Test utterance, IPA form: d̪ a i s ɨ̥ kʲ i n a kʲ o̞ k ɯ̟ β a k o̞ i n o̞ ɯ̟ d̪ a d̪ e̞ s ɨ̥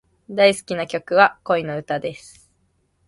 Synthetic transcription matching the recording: d̪ a i s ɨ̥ kʲ i n a kʲ o̞ k ɯ̟ β a k o̞ i n o̞ ɯ̟ t̪ a d̪ e̞ s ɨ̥